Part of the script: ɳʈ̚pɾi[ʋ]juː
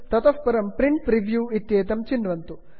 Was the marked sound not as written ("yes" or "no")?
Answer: no